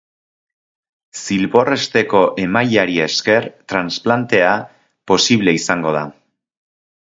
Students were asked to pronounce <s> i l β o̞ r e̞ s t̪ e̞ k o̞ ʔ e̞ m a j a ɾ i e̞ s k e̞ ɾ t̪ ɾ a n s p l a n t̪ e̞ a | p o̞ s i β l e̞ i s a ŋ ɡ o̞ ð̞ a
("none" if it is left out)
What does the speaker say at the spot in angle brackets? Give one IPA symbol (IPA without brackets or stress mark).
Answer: s